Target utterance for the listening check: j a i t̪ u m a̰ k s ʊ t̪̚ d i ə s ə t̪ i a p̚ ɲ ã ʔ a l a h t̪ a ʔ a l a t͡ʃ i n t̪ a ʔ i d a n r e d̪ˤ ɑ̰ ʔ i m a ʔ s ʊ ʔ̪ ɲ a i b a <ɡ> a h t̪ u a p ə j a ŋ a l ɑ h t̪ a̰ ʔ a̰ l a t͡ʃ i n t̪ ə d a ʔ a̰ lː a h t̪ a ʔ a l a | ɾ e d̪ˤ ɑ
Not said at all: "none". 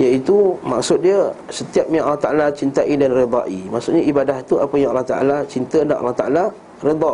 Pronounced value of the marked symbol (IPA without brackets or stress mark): d